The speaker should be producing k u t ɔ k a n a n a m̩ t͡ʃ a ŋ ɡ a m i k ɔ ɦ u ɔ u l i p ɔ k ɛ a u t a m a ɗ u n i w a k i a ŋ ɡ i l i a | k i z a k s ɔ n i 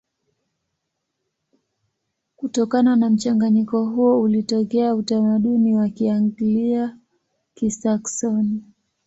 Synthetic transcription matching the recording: k u t ɔ k a n a n a m̩ t͡ʃ a ŋ ɡ a ɲ i k ɔ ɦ u ɔ u l i t ɔ k ɛ a u t a m a ɗ u n i w a k i a ŋ ɡ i l i a | k i s a k s ɔ n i

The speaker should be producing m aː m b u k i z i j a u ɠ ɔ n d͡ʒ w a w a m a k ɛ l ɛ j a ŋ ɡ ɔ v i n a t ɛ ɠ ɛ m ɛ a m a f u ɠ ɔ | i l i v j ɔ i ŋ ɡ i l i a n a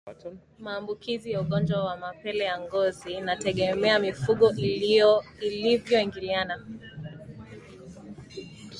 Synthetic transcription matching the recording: m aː m b u k i z i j a u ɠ ɔ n d͡ʒ w a w a m a p ɛ l ɛ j a ŋ ɡ ɔ z i n a t ɛ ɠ ɛ m ɛ a m i f u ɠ ɔ | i l i v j ɔ i ŋ ɡ i l i a n a

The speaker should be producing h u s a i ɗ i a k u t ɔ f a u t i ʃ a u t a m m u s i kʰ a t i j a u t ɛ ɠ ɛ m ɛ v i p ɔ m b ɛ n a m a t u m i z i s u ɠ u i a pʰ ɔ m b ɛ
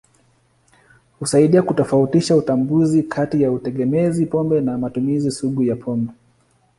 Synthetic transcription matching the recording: h u s a i ɗ i a k u t ɔ f a u t i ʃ a u t a m b u z i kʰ a t i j a u t ɛ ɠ ɛ m ɛ z i p ɔ m b ɛ n a m a t u m i z i s u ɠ u j a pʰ ɔ m b ɛ

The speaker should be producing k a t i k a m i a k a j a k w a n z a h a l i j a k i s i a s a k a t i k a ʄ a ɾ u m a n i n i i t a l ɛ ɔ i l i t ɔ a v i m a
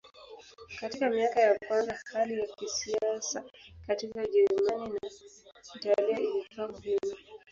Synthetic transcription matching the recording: k a t i k a m i a k a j a k w a n z a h a l i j a k i s i a s a k a t i k a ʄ ɛ ɾ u m a n i n a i t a l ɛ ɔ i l i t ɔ a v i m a

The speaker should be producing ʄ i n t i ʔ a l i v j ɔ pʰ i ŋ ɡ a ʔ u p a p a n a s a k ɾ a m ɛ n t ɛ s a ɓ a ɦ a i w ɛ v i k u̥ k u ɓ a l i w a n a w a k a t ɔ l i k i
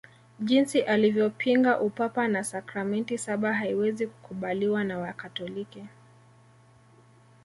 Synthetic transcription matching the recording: ʄ i n s i ʔ a l i v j ɔ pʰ i ŋ ɡ a ʔ u p a p a n a s a k ɾ a m ɛ n t i s a ɓ a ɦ a i w ɛ z i k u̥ k u ɓ a l i w a n a w a k a t ɔ l i k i

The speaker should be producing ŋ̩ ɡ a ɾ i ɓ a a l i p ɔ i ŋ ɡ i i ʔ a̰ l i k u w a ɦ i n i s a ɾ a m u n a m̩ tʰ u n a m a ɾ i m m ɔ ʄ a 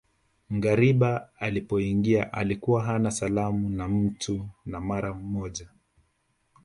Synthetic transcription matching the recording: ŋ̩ ɡ a ɾ i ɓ a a l i p ɔ i ŋ ɡ i a ʔ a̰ l i k u w a ɦ a n a s a l a m u n a m̩ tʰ u n a m a ɾ a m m ɔ ʄ a

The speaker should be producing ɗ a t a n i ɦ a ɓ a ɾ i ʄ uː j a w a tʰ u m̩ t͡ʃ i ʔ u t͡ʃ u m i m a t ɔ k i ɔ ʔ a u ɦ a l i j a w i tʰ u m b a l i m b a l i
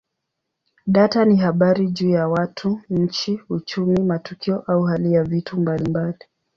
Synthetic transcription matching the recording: ɗ a t a n i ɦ a ɓ a ɾ i ʄ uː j a w a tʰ u ɲ̩ t͡ʃ i u t͡ʃ u m i m a t u k i ɔ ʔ a u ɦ a l i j a v i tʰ u m b a l i m b a l i

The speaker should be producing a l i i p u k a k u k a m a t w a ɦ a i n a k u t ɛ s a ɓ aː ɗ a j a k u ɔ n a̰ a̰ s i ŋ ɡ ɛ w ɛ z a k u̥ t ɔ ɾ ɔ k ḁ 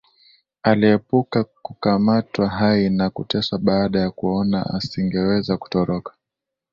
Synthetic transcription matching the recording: a l i ɛ p u k a k u k a m a t w a ɦ a i n a k u t ɛ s a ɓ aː ɗ a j a k u ɔ n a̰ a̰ s i ŋ ɡ ɛ w ɛ z a k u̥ t ɔ ɾ ɔ k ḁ

